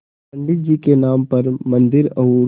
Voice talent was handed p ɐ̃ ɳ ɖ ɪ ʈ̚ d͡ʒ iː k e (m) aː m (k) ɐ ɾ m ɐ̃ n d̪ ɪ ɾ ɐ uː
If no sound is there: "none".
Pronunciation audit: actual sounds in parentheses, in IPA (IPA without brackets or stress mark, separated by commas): n, p